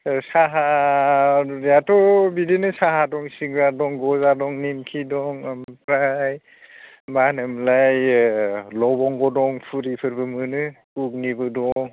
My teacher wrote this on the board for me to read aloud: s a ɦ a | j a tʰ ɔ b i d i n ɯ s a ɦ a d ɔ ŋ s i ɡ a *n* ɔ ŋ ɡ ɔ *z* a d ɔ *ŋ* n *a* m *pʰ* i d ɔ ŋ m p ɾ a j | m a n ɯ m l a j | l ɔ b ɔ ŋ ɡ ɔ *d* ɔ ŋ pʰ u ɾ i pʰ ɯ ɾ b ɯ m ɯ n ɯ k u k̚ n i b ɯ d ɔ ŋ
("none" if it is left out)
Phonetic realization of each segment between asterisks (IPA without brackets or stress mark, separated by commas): d, z, ŋ, i, kʰ, d